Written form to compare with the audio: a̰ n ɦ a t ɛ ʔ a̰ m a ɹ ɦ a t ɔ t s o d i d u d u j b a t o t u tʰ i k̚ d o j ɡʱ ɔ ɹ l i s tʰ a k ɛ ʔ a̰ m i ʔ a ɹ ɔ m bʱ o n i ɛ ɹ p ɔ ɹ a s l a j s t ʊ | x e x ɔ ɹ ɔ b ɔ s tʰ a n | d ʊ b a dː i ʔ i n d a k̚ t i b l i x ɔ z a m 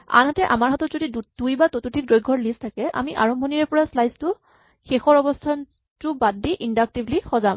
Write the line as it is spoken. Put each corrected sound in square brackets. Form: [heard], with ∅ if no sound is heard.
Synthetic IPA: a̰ n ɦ a t ɛ ʔ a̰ m a ɹ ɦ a t ɔ t [z] o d i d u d u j b a t o t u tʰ i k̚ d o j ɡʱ ɔ ɹ l i s tʰ a k ɛ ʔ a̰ m i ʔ a ɹ ɔ m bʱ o n i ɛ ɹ p ɔ ɹ a s l a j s t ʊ | x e x ɔ ɹ ɔ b ɔ s tʰ a n | [t] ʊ b a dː i ʔ i n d a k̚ t i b l i x ɔ z a m

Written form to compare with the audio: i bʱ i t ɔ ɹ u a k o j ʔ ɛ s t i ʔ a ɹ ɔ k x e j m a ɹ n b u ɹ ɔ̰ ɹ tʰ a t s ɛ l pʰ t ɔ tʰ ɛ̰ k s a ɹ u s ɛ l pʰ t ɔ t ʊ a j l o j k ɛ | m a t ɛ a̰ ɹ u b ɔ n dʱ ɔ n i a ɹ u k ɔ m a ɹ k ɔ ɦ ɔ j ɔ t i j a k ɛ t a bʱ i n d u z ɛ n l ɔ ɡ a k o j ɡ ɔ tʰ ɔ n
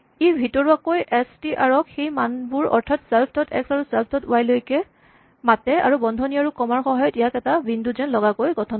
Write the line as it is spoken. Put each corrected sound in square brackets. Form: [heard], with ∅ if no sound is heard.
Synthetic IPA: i bʱ i t ɔ ɹ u a k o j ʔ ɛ s t i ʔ a ɹ ɔ k x e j m a [∅] n b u ɹ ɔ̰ ɹ tʰ a t s ɛ l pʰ t ɔ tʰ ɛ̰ k s a ɹ u s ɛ l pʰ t ɔ t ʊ a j l o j k ɛ | m a t ɛ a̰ ɹ u b ɔ n dʱ ɔ n i a ɹ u k ɔ m a ɹ [x] ɔ ɦ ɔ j ɔ t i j a k ɛ t a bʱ i n d u z ɛ n l ɔ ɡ a k o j ɡ ɔ tʰ ɔ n

